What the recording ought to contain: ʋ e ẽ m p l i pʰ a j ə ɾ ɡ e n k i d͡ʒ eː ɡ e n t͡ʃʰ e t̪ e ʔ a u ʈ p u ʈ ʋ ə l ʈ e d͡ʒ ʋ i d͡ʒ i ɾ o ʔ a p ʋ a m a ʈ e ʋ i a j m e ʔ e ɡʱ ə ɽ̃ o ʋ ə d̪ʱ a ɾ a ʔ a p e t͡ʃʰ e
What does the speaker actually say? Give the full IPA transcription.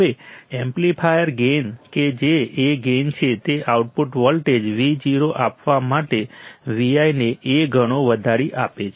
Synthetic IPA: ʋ e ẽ m p l i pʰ a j ə ɾ ɡ e n k e d͡ʒ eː ɡ e n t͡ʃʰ e t̪ e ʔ a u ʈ p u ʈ ʋ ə l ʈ e d͡ʒ ʋ i d͡ʒ i ɾ o ʔ a p ʋ a m a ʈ e ʋ i a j n e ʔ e ɡʱ ə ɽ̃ o ʋ ə d̪ʱ a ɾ i ʔ a p e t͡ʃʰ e